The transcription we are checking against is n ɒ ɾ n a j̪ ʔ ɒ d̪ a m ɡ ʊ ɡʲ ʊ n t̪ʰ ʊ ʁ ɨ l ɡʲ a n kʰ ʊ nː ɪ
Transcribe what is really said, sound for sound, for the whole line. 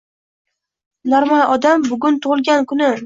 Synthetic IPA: n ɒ ɾ m a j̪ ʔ ɒ d̪ a m b ʊ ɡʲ ʊ n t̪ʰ ʊ ʁ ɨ l ɡʲ a n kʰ ʊ n ɪ

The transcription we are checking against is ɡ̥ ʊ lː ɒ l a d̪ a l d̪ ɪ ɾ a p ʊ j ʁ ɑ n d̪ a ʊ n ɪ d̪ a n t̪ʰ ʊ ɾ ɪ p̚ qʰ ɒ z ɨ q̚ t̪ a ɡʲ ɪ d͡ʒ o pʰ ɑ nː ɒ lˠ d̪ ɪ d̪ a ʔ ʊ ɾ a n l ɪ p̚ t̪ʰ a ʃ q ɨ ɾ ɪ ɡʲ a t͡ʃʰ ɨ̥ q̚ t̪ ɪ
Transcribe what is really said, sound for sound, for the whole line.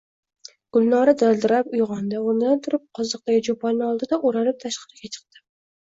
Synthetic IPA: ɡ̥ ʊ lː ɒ ɾ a d̪ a l d̪ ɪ ɾ a p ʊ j ʁ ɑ n d̪ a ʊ n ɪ d̪ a n t̪ʰ ʊ ɾ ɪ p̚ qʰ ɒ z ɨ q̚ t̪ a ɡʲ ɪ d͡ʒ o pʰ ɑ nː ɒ lˠ d̪ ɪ d̪ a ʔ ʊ ɾ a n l ɪ p̚ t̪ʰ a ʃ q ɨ ɾ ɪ ɡʲ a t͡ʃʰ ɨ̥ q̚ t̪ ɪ

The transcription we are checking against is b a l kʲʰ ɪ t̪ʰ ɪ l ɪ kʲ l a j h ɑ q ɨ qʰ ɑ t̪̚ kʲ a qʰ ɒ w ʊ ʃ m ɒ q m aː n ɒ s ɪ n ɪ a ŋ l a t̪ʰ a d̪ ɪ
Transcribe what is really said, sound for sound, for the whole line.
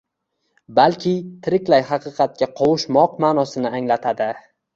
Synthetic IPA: b a l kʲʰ ɪ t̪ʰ ɪ ɾ ɪ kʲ l a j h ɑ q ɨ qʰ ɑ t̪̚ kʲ a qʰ ɒ w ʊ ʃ m ɒ q m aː n ɒ s ɪ n ɪ a ŋ l a t̪ʰ a d̪ ɪ

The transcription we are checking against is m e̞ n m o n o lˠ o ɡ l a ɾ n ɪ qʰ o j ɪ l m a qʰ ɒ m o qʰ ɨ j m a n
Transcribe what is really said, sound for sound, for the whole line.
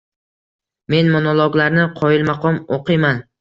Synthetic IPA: m e̞ n m o n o lˠ o ɡ l a ɾ n ɪ qʰ ɒ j ɪ l m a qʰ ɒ m o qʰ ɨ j m a n

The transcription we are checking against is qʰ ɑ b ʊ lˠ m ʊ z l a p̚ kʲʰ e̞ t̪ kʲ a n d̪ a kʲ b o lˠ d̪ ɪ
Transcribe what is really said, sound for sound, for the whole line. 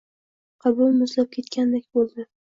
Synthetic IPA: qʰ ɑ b ʊ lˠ m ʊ z l a p̚ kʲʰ e̞ t̪ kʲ a n d̪ e kʲ b o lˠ d̪ ɪ

